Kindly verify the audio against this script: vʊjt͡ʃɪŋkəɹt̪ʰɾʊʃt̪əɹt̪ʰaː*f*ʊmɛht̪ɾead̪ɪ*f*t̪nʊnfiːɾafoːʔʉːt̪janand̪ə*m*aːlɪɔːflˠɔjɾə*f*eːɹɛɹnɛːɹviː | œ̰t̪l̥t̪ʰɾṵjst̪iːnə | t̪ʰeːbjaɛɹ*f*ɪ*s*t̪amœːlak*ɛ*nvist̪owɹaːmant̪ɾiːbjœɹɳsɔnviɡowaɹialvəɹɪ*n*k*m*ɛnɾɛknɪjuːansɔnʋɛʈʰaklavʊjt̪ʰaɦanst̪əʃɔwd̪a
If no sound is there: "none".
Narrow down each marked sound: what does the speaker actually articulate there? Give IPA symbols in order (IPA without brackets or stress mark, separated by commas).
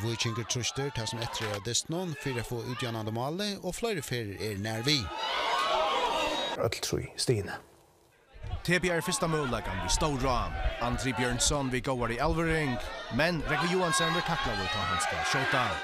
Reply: s, s, m, f, f, s, a, ŋ, m